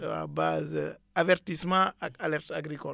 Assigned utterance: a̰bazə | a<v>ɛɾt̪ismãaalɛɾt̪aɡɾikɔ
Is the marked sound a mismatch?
no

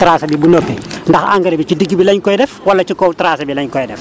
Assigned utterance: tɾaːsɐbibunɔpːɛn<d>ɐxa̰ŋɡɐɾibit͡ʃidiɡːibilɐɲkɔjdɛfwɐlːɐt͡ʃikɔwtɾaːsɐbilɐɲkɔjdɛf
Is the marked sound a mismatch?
no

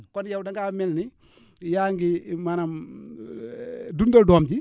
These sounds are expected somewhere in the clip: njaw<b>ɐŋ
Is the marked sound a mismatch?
yes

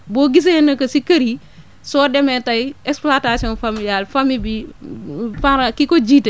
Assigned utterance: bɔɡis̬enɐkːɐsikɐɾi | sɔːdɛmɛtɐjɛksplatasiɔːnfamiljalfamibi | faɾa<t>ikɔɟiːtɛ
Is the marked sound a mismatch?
yes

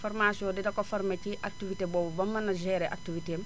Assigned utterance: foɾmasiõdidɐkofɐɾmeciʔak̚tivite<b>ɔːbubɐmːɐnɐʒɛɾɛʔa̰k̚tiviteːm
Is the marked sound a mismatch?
no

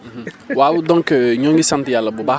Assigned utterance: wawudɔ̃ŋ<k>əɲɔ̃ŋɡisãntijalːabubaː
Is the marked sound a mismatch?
no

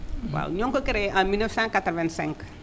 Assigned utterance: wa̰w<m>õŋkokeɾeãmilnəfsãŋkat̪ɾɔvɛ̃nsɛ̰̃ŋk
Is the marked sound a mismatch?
yes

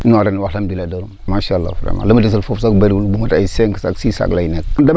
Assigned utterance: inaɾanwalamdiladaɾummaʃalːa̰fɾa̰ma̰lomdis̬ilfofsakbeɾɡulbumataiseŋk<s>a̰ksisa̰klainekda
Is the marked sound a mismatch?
no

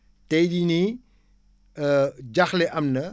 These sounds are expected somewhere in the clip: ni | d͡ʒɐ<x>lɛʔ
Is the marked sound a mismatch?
no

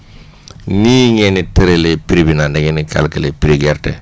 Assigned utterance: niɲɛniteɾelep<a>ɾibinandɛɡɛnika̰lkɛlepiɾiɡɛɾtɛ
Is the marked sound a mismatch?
yes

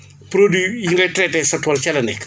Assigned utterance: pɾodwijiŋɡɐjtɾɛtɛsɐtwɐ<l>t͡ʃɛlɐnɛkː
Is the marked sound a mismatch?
no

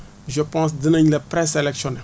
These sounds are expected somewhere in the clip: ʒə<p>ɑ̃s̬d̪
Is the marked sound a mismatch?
no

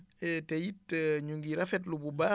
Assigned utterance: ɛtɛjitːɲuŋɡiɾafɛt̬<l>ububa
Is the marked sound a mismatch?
no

